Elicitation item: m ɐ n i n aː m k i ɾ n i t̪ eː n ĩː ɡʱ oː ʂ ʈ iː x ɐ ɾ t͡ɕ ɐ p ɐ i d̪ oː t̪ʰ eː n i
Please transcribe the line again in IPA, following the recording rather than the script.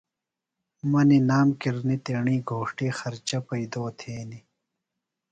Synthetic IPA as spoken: m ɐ n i n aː m k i ɾ n i t̪ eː ɳ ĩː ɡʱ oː ʂ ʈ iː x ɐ ɾ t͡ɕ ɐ p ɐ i d̪ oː t̪ʰ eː n i